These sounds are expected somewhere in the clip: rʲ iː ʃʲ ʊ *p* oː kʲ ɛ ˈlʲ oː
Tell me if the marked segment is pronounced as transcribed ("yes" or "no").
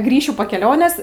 yes